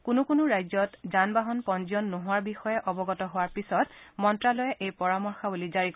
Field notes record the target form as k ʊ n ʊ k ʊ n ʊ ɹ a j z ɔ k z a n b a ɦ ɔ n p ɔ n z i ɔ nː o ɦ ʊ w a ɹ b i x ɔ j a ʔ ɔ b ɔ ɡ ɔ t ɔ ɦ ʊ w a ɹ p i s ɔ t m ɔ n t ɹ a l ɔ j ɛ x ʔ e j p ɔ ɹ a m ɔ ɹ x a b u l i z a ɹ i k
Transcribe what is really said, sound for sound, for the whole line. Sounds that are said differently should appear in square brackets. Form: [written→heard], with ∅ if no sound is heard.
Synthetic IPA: k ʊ n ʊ k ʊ n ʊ ɹ a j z ɔ [k→t] z a n b a ɦ ɔ n p ɔ n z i ɔ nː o ɦ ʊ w a ɹ b i x ɔ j [a→ɛ] ʔ ɔ b ɔ ɡ ɔ t ɔ ɦ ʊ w a ɹ p i s ɔ t m ɔ n t ɹ a l ɔ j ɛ [x→∅] ʔ e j p ɔ ɹ a m ɔ ɹ x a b u l i z a ɹ i k

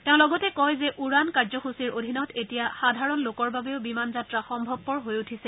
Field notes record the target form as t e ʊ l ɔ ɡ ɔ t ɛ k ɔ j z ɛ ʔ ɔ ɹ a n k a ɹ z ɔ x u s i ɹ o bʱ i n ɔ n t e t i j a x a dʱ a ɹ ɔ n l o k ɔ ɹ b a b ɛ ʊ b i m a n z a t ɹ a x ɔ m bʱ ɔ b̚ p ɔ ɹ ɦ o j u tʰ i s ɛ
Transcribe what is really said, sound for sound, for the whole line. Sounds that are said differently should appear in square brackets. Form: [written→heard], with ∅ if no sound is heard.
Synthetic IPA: t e [ʊ→ʊ̃] l ɔ ɡ ɔ t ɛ k ɔ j z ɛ ʔ [ɔ→u] ɹ a n k a ɹ z ɔ x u s i ɹ o [bʱ→dʱ] i n ɔ [n→∅] t e t i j a x a dʱ a ɹ ɔ n l o k ɔ ɹ b a b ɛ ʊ b i m a n z a t ɹ a x ɔ m bʱ ɔ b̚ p ɔ ɹ ɦ o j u tʰ i s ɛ

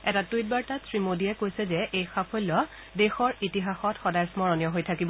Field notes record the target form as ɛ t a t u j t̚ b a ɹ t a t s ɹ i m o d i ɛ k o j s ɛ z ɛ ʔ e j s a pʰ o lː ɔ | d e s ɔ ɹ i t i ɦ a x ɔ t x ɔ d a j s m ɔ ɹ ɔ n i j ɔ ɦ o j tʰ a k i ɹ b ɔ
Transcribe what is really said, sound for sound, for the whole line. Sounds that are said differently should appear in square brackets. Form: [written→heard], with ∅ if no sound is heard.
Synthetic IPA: ɛ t a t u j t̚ b a ɹ t a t s ɹ i m o d i ɛ k o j s ɛ z ɛ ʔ e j [s→x] a pʰ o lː ɔ | d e [s→x] ɔ ɹ i t i ɦ a x ɔ t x ɔ d a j s m ɔ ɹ ɔ n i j ɔ ɦ o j tʰ a k i [ɹ→∅] b ɔ

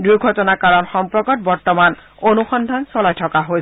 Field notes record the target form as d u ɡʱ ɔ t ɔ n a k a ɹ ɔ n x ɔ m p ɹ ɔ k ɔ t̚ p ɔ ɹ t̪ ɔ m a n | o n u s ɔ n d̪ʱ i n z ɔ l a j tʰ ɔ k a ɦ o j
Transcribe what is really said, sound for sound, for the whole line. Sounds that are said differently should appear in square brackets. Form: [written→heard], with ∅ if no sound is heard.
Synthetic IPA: d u ɡʱ ɔ t ɔ n a k a ɹ ɔ n x ɔ m p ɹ ɔ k ɔ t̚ [p→b] ɔ ɹ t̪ ɔ m a n | o n u [s→x] ɔ n d̪ʱ [i→a] n [z→s] ɔ l a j tʰ ɔ k a ɦ o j

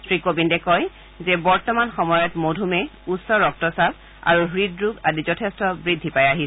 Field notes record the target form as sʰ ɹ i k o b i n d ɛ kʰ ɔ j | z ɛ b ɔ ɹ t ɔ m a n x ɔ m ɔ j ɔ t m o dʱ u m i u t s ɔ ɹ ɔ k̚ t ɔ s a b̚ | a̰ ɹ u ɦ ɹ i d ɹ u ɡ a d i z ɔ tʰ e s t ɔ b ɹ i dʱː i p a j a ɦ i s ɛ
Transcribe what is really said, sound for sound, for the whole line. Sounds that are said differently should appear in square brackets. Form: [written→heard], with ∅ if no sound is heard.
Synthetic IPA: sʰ ɹ i k o b i n d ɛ [kʰ→k] ɔ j | z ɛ b ɔ ɹ t ɔ m a n x ɔ m ɔ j ɔ t m o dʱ u m [i→ɛ] u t s ɔ ɹ ɔ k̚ t ɔ s a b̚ | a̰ ɹ u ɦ ɹ i d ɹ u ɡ a d i z ɔ tʰ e s t ɔ b ɹ i dʱː i p a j a ɦ i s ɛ

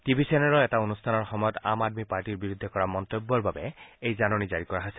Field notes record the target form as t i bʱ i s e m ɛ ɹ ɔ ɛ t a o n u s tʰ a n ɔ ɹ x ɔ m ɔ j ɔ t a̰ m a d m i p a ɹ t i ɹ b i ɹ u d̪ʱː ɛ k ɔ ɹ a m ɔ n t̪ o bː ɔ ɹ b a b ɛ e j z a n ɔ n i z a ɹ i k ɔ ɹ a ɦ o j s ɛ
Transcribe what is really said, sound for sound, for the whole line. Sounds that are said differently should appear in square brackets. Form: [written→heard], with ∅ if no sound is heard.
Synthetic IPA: t i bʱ i s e [m→n] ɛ ɹ ɔ ɛ t a o n u s tʰ a n ɔ ɹ x ɔ m ɔ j ɔ t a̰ m a d m i p a ɹ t i ɹ b i ɹ u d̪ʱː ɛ k ɔ ɹ a m ɔ n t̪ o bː ɔ ɹ b a b ɛ e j z a n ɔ n i z a ɹ i k ɔ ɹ a ɦ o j s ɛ

